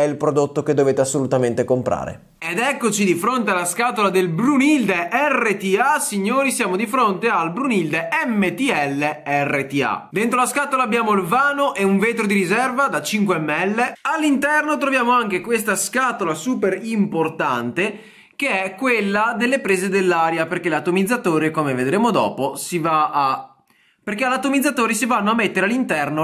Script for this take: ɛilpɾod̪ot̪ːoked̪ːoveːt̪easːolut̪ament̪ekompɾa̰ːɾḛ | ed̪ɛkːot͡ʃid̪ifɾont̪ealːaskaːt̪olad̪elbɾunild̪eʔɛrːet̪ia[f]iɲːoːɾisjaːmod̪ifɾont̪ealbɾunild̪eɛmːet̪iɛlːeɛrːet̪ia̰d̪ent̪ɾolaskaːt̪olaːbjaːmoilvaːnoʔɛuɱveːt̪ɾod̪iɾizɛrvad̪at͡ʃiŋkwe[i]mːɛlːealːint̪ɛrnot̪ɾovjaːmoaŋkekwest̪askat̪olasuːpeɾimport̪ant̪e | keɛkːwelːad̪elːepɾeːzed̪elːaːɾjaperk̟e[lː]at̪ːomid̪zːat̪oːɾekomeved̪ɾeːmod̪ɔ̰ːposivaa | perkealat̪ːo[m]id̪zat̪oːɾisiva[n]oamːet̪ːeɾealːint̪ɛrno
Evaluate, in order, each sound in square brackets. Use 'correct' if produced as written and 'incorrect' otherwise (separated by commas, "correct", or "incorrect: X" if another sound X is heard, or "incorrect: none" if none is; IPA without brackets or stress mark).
incorrect: s, incorrect: ɛ, incorrect: l, correct, incorrect: nː